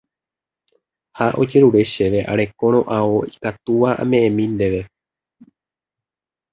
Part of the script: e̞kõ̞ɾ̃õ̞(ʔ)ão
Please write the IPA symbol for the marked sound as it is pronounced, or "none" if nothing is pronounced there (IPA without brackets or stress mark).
ʔ